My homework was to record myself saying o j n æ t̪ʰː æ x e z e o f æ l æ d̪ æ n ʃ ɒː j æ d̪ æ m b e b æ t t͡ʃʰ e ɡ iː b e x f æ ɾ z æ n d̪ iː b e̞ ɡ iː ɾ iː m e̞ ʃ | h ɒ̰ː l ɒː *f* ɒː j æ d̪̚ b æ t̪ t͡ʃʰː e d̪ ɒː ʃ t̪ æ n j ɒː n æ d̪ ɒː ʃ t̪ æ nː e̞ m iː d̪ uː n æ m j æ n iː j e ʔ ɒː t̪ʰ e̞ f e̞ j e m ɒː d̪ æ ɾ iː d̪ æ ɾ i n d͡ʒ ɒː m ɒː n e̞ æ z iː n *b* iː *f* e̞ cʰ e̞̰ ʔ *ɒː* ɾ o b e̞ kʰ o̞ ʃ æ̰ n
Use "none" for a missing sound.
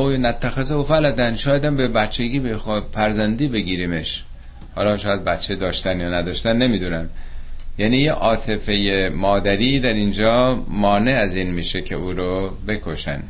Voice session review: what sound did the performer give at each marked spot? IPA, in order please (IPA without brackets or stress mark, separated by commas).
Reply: ʃ, m, ʃ, uː